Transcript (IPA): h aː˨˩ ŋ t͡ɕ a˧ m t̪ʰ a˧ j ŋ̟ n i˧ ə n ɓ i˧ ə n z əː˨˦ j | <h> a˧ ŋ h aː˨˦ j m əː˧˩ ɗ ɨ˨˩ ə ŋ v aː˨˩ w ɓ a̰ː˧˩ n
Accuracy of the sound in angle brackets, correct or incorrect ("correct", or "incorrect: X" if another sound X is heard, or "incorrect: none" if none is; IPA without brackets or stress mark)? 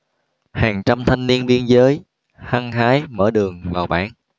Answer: correct